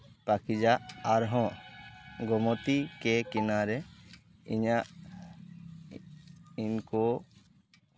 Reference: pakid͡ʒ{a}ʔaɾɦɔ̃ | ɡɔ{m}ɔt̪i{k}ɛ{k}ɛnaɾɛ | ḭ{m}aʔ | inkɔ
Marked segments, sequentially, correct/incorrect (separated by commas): correct, correct, correct, correct, incorrect